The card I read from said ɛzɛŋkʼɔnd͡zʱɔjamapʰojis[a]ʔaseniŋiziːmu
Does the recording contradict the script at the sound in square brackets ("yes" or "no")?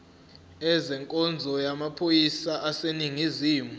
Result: no